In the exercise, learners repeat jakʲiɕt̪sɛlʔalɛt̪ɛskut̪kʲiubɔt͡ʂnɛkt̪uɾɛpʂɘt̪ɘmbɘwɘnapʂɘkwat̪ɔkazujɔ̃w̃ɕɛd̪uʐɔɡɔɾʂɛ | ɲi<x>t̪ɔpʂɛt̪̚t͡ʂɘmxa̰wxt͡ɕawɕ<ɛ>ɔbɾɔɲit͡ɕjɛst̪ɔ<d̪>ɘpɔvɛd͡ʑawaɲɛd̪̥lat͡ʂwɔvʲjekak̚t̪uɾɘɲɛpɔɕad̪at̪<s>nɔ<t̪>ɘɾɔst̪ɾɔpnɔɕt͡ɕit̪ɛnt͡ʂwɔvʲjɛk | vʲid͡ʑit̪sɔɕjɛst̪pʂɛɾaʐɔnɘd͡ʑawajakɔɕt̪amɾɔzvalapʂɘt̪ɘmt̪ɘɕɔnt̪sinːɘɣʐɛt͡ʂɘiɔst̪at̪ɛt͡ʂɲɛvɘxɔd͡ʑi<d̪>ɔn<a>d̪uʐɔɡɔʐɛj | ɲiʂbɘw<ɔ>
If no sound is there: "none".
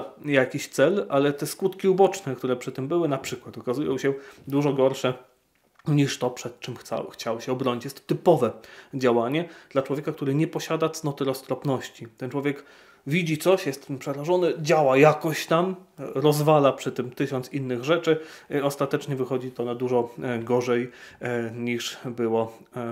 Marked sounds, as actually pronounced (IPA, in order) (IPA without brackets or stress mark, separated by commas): ʂ, ɛ, t̪, s, t̪, t̪, a, ɔ